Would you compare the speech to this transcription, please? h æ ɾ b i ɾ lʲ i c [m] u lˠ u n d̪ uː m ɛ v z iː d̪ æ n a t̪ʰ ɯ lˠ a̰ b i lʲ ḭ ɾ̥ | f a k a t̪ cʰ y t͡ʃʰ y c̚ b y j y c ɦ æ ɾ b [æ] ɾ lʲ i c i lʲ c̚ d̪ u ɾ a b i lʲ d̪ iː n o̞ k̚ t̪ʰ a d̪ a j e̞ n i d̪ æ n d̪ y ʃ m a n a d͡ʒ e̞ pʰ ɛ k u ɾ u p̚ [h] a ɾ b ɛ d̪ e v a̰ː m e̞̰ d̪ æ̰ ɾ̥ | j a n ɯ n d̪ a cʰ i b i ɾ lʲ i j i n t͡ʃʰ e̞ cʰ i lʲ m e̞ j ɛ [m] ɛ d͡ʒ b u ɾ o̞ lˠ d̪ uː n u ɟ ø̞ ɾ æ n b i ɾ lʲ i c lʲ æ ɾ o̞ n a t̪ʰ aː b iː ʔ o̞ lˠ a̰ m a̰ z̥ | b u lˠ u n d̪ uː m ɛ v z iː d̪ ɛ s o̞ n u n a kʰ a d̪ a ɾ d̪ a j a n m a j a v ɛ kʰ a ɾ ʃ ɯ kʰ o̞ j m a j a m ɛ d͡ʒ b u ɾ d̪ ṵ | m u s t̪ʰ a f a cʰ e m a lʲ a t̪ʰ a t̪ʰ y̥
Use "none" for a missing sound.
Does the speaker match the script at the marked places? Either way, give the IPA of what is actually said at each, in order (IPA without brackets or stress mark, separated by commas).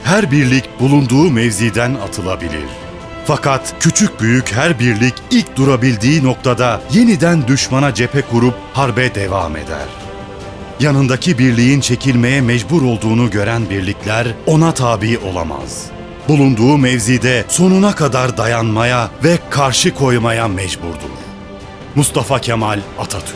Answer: b, i, h, m